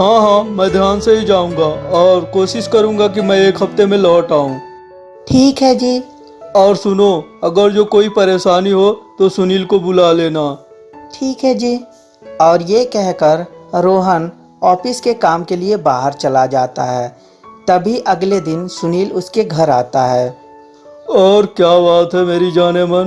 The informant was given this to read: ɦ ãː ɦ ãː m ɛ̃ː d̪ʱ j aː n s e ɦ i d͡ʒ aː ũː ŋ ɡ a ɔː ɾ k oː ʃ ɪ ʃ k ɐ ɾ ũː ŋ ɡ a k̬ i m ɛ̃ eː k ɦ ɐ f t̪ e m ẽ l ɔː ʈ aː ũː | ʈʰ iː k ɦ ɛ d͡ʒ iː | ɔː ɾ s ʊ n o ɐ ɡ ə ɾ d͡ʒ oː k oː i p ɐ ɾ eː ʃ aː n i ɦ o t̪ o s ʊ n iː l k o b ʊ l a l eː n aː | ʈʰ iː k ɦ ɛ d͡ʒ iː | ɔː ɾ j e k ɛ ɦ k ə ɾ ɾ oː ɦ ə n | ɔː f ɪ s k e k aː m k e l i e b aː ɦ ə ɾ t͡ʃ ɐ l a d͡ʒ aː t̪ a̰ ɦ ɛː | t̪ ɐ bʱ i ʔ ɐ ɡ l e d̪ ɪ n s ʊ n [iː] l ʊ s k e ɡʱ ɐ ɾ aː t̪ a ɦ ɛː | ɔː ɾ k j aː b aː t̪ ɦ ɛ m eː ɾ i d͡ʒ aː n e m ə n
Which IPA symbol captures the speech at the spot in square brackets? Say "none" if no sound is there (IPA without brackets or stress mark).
iː